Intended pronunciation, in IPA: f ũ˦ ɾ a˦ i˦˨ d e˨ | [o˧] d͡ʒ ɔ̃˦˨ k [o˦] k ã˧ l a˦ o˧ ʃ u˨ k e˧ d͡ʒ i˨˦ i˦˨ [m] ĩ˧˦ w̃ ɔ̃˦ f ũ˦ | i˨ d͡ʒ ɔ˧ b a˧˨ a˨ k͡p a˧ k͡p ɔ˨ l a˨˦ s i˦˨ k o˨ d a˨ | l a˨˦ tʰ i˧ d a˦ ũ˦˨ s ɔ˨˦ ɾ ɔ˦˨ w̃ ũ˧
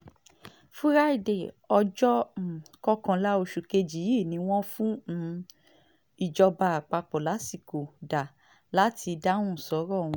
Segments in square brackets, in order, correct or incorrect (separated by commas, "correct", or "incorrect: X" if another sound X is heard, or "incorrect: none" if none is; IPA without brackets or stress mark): incorrect: ɔ˧, incorrect: ɔ˦, incorrect: n